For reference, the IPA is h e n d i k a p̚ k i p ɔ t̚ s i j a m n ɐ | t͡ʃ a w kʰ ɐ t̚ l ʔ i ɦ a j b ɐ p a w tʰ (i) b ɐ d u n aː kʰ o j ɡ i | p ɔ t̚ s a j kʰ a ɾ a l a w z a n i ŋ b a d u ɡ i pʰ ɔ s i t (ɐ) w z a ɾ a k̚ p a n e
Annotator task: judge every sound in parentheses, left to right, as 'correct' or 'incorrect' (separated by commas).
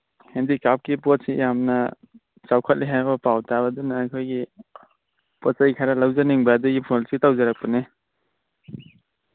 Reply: incorrect, incorrect